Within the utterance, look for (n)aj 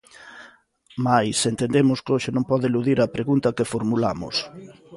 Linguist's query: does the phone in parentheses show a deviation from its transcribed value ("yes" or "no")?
yes